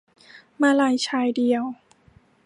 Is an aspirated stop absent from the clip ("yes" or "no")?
no